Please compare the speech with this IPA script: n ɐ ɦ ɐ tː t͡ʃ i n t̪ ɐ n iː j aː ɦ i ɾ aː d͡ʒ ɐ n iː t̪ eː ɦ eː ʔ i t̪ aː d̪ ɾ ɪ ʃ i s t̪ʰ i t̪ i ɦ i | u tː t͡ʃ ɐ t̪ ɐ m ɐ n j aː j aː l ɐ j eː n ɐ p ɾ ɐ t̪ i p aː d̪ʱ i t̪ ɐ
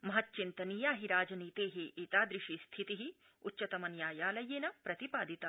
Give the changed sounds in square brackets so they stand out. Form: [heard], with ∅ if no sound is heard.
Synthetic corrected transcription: [m] ɐ ɦ ɐ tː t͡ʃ i n t̪ ɐ n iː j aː ɦ i ɾ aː d͡ʒ ɐ n iː t̪ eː ɦ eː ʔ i t̪ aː d̪ ɾ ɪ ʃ i s t̪ʰ i t̪ i ɦ i | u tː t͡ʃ ɐ t̪ ɐ m ɐ n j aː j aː l ɐ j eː n ɐ p ɾ ɐ t̪ i p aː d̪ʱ i t̪ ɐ

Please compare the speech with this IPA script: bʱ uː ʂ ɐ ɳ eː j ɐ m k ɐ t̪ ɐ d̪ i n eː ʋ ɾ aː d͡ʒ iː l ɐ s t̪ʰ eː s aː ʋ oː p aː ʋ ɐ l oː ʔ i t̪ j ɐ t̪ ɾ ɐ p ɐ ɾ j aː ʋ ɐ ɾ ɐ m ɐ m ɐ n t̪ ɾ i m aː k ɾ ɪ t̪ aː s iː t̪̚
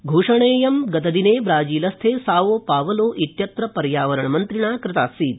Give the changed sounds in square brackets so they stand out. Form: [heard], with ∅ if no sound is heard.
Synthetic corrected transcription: [ɡʱ] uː ʂ ɐ ɳ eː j ɐ m [ɡ] ɐ t̪ ɐ d̪ i n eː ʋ ɾ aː d͡ʒ iː l ɐ s t̪ʰ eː s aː ʋ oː p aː ʋ ɐ l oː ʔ i t̪ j ɐ t̪ ɾ ɐ p ɐ ɾ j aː ʋ ɐ ɾ ɐ [ɳ] ɐ m ɐ n t̪ ɾ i [ɳ] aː k ɾ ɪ t̪ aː s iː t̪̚

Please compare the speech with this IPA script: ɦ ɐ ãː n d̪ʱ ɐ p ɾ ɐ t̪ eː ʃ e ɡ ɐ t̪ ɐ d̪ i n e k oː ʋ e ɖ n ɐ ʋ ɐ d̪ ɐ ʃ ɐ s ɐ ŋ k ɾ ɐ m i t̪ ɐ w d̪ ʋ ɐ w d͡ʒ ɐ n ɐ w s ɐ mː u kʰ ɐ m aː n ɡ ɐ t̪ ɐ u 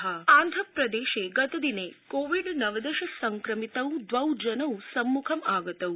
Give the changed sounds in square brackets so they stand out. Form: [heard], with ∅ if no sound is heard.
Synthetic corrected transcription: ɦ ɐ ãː n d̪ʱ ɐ p ɾ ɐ [d̪] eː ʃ e ɡ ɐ t̪ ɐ d̪ i n e k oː ʋ [i] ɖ n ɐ ʋ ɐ d̪ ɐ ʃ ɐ s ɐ ŋ k ɾ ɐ m i t̪ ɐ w d̪ ʋ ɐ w d͡ʒ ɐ n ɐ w s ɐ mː u kʰ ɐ m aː [∅] ɡ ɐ t̪ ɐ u

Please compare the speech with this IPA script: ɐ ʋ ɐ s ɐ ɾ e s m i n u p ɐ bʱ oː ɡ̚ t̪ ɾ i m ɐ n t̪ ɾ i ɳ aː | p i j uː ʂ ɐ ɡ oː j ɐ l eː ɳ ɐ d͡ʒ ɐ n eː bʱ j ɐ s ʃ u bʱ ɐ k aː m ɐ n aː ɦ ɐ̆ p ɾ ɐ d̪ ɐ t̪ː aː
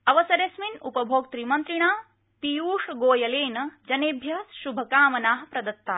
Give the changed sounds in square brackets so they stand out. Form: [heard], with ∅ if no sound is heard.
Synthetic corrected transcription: ɐ ʋ ɐ s ɐ ɾ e s m i n u p ɐ bʱ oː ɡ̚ t̪ ɾ i m ɐ n t̪ ɾ i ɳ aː | p i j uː ʂ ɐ ɡ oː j ɐ l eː [n] ɐ d͡ʒ ɐ n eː bʱ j ɐ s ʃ u bʱ ɐ k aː m ɐ n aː ɦ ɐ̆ p ɾ ɐ d̪ ɐ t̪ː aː

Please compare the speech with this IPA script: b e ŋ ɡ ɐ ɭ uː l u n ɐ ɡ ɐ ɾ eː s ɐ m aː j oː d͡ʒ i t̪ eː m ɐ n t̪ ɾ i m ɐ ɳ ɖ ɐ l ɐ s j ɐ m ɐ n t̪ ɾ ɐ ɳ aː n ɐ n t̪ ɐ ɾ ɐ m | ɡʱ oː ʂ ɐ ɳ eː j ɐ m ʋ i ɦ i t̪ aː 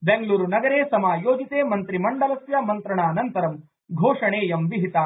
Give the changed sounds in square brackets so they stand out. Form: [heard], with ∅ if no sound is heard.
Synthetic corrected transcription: b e ŋ ɡ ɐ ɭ uː [ɾ] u n ɐ ɡ ɐ ɾ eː s ɐ m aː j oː d͡ʒ i t̪ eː m ɐ n t̪ ɾ i m ɐ ɳ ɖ ɐ l ɐ s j ɐ m ɐ n t̪ ɾ ɐ ɳ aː n ɐ n t̪ ɐ ɾ ɐ m | ɡʱ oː ʂ ɐ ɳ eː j ɐ m ʋ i ɦ i t̪ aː

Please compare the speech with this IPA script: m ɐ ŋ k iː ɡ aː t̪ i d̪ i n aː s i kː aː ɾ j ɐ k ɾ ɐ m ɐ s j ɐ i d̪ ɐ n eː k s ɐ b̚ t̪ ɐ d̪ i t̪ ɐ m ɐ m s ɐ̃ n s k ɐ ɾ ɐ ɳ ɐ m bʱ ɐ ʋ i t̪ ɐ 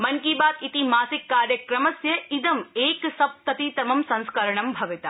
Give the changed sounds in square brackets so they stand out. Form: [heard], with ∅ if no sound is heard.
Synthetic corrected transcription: m ɐ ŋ k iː [b] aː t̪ i [t̪] i [m] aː s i kː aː ɾ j ɐ k ɾ ɐ m ɐ s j ɐ i d̪ ɐ [m] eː k s ɐ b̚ t̪ ɐ [t̪] i t̪ ɐ m ɐ m s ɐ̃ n s k ɐ ɾ ɐ ɳ ɐ m bʱ ɐ ʋ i t̪ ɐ

